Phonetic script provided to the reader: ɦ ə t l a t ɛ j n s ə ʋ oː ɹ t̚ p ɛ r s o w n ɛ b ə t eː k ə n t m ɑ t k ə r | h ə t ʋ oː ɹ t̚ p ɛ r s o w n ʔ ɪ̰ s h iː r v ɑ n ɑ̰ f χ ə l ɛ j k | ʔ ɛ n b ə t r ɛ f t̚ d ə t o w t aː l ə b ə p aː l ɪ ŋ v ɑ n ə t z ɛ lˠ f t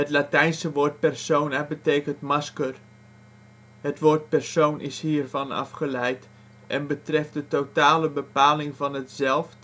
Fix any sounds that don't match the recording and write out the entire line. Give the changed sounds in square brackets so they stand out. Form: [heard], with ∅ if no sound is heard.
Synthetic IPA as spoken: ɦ ə t l a t ɛ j n s ə ʋ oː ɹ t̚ p ɛ r s o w n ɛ b ə t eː k ə n t m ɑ [s] k ə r | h ə t ʋ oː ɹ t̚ p ɛ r s o w n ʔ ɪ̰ s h iː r v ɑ n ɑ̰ f χ ə l ɛ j [t] | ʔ ɛ n b ə t r ɛ f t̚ d ə t o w t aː l ə b ə p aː l ɪ ŋ v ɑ n ə t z ɛ lˠ f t